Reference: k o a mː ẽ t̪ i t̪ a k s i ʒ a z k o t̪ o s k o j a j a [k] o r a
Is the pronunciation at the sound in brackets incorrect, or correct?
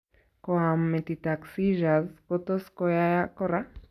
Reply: correct